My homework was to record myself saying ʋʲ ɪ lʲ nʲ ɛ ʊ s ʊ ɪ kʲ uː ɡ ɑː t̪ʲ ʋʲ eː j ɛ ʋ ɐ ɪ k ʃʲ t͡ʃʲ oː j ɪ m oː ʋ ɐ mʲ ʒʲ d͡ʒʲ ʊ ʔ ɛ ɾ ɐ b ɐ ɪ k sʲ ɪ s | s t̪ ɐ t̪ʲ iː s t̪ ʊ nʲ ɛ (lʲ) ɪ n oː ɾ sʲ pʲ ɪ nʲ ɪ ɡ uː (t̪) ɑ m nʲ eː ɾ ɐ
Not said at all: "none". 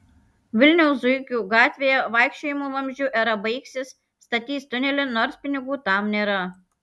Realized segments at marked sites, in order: lʲ, t̪

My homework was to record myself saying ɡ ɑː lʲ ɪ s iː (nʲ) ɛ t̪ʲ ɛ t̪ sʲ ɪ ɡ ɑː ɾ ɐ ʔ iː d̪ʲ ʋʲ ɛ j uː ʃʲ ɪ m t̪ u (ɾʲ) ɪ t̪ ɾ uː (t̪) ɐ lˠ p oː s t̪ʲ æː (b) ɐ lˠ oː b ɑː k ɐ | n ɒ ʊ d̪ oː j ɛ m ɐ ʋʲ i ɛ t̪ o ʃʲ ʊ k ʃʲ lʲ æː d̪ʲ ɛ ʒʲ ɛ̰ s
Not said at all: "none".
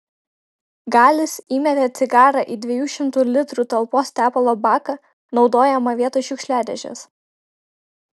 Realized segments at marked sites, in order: mʲ, lʲ, t̪, p

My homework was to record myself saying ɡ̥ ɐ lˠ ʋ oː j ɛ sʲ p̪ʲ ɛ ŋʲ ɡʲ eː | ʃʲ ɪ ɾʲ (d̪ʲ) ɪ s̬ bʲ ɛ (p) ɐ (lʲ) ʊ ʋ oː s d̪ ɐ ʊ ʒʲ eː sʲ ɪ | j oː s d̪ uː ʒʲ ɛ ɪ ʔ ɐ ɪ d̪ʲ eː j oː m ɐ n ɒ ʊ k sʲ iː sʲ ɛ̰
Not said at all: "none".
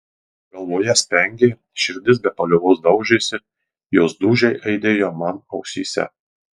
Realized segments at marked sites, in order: d̪ʲ, p, lʲ

